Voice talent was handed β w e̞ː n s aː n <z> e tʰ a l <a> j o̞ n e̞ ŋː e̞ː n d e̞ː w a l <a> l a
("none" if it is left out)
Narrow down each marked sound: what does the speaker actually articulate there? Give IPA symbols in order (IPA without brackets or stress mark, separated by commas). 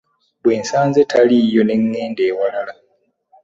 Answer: z, i, a